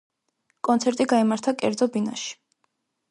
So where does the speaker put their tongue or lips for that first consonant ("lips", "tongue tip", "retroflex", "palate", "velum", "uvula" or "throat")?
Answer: velum